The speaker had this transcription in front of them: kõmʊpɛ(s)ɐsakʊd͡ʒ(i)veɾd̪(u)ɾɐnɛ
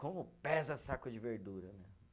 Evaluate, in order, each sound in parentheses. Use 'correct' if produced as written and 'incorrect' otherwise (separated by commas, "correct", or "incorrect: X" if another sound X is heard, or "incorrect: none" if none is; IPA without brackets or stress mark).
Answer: incorrect: z, incorrect: ɪ, correct